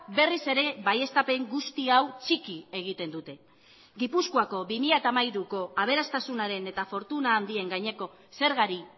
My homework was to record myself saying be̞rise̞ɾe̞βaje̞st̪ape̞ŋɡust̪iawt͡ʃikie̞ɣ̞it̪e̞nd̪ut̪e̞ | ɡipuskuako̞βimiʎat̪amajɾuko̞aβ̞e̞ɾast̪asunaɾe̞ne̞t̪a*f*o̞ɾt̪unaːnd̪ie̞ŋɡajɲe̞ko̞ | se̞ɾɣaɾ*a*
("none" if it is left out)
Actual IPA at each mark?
f, i

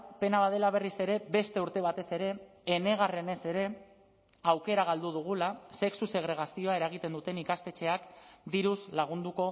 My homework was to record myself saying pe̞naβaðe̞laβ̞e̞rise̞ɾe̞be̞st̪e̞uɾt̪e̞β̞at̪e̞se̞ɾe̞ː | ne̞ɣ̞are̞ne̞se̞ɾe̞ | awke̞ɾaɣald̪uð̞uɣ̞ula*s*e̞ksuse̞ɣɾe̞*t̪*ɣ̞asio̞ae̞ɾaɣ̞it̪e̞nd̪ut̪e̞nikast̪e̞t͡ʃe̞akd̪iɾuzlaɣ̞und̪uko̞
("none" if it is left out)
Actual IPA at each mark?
s, none

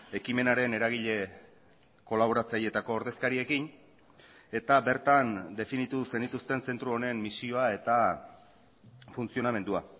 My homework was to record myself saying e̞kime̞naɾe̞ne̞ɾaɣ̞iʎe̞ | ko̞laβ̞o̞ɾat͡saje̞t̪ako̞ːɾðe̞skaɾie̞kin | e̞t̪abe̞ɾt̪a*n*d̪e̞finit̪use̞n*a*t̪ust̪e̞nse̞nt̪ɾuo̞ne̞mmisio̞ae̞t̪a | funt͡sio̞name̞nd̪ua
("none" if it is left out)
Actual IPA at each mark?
n, i

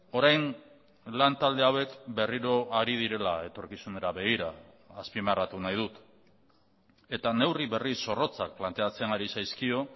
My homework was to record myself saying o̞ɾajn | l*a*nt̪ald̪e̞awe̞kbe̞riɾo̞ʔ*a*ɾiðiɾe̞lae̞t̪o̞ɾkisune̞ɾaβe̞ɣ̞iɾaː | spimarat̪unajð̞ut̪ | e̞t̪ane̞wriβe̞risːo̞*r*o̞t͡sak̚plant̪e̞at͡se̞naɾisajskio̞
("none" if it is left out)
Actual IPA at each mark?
a, a, r

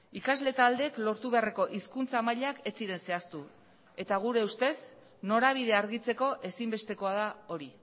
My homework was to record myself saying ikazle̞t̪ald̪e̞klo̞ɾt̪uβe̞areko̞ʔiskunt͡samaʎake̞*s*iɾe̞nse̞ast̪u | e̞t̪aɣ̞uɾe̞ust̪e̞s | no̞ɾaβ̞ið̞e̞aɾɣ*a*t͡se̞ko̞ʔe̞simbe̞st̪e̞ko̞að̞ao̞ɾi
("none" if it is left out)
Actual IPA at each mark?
t͡s, i

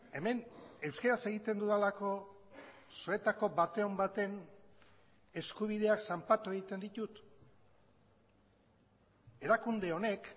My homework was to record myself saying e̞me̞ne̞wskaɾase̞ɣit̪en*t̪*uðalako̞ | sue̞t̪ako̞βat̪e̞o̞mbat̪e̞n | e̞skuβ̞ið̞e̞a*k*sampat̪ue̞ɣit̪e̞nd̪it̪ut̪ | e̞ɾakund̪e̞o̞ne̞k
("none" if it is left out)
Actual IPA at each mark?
d̪, k

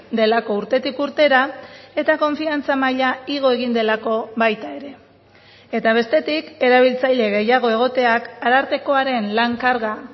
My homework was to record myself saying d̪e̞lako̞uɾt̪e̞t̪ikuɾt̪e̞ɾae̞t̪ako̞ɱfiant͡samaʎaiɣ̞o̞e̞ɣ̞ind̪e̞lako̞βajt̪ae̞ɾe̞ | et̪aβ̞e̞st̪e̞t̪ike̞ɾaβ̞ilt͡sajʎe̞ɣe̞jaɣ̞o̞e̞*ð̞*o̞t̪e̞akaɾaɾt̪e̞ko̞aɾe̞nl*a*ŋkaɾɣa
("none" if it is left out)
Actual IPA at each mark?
ɣ̞, a

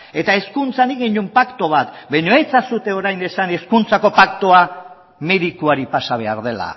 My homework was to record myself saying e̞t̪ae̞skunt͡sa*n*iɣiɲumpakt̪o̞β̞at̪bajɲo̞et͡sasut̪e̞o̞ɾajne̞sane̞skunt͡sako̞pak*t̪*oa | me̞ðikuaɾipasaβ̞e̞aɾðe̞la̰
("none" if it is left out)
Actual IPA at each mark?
n, t̪

